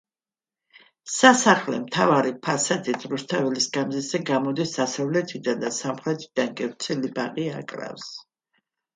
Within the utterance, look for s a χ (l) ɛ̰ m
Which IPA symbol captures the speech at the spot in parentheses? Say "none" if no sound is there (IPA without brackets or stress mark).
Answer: l